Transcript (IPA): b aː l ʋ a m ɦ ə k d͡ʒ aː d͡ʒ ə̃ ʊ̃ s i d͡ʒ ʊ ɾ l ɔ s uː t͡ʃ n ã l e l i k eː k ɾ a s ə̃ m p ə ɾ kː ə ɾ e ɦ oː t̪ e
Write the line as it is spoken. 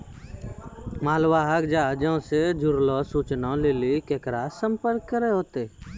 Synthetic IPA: m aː l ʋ a ɦ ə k d͡ʒ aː d͡ʒ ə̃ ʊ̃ s e d͡ʒ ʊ ɾ l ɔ s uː t͡ʃ n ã l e l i k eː k ɾ a s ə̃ m p ə ɾ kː ə ɾ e ɦ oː t̪ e

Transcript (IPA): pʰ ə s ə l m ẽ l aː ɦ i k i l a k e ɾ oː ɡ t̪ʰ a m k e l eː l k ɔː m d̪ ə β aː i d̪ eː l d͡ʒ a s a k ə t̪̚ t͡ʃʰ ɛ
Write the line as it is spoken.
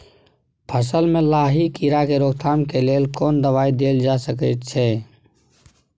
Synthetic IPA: pʰ ə s ə l m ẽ l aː ɦ i k i ɾ a k e ɾ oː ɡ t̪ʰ a m k e l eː l k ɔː n d̪ ə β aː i d̪ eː l d͡ʒ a s ə k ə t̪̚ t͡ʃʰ ɛ

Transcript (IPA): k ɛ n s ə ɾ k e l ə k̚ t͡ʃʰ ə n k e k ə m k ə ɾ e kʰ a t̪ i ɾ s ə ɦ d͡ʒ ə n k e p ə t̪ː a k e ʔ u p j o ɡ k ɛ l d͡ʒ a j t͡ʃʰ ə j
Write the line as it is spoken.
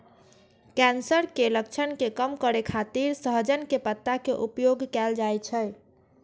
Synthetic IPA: k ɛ n s ə ɾ k e l ə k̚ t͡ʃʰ ə n k e k ə m k ə ɾ e kʰ a t̪ i ɾ s ə ɦ d͡ʒ ə n k e p ə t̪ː a k e ʔ u p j o ɡ k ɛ l d͡ʒ a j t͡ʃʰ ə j

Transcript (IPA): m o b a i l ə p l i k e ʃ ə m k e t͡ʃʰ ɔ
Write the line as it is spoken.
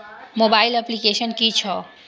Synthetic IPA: m o b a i l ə p l i k e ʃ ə n k i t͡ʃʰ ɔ

